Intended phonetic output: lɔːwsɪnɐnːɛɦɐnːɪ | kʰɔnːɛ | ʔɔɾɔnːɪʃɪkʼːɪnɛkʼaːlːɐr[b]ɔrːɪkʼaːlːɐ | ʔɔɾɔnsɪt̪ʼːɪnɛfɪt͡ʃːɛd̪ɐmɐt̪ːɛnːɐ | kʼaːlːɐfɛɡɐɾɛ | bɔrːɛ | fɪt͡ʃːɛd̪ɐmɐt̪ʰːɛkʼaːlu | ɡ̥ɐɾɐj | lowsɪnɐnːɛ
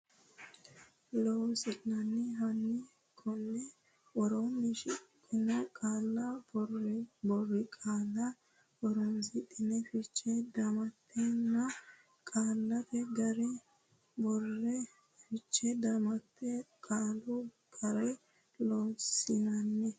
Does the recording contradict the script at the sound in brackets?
no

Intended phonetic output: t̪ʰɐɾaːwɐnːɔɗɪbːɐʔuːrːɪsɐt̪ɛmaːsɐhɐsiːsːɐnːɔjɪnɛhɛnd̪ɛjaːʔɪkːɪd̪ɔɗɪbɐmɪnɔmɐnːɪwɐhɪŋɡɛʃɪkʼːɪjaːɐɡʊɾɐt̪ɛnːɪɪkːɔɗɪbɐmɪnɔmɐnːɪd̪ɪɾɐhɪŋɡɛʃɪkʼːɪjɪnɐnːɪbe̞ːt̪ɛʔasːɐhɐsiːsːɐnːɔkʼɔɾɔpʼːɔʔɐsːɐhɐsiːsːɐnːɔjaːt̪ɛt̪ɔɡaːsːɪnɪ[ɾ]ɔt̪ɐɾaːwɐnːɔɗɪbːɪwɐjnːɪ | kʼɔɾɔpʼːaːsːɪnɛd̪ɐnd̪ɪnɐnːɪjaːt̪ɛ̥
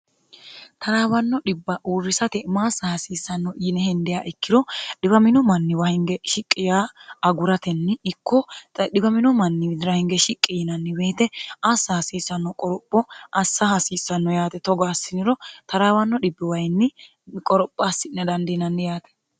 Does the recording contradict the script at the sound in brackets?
no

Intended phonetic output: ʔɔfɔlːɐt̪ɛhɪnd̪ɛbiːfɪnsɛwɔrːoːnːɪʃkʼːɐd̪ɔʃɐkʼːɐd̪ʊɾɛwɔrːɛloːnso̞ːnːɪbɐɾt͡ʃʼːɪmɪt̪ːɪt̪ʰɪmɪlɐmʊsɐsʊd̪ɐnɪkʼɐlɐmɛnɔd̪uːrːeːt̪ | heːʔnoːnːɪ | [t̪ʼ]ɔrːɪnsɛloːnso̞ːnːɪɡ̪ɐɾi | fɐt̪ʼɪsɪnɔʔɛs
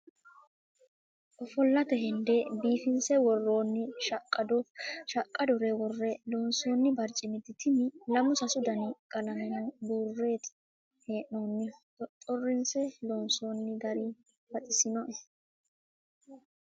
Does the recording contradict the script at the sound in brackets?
no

